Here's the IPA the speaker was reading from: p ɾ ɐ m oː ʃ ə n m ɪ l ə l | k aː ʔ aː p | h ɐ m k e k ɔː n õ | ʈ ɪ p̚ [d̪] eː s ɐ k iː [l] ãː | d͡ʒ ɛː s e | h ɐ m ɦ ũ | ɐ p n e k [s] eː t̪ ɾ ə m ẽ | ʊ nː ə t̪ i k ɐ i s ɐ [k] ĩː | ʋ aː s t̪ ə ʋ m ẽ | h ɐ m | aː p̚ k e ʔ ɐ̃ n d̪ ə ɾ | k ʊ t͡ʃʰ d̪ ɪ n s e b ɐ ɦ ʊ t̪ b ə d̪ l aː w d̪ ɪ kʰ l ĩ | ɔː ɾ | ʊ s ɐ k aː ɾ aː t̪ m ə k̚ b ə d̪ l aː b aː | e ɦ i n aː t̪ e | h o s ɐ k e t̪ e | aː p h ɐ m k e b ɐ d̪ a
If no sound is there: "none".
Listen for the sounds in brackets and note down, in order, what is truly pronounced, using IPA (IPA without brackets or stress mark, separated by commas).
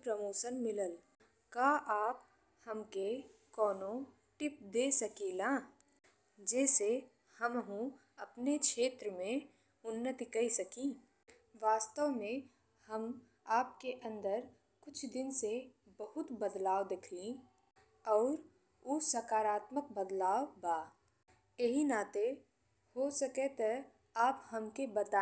d̪, l, ʃ, k